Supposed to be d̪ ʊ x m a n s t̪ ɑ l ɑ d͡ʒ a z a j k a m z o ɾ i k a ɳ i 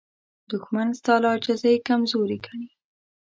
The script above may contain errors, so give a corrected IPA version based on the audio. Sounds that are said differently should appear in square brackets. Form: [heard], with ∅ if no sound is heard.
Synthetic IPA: d̪ ʊ x m a n s t̪ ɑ l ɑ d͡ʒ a z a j k a m z o ɾ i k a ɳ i